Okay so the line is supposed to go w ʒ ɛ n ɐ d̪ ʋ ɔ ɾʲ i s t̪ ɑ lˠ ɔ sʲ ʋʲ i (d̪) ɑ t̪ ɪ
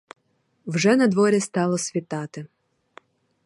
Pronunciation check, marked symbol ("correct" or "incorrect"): incorrect